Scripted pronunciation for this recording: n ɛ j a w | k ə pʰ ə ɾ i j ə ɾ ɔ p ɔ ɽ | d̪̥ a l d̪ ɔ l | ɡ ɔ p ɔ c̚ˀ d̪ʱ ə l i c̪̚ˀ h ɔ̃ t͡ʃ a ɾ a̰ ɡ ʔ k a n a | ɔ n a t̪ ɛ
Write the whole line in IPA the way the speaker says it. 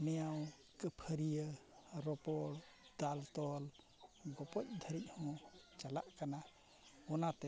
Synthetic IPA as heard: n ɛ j a w | k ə pʰ ə ɾ i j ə ɾ ɔ p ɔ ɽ | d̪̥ a l t̪ ɔ l | ɡ ɔ p ɔ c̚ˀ d̪ʱ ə ɾ i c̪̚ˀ h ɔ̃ t͡ʃ a l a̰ ʔ k a n a | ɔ n a t̪ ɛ